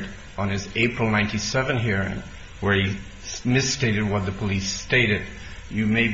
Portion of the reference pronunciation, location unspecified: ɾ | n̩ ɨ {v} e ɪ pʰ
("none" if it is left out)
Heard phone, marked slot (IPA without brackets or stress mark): z